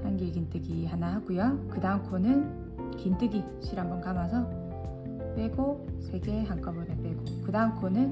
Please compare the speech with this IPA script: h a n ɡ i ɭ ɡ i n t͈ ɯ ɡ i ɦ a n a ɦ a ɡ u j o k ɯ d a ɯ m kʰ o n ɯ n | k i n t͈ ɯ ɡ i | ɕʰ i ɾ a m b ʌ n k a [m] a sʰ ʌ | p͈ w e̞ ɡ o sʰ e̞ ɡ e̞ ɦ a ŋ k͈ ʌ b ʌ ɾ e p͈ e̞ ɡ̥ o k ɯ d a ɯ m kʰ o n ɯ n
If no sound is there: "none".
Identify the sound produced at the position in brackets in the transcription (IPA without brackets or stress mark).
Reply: m